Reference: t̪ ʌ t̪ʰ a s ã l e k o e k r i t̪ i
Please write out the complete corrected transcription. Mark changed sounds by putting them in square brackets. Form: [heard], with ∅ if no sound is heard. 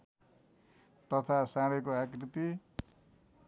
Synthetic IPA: t̪ ʌ t̪ʰ a s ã [ɽ] e k o [a] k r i t̪ i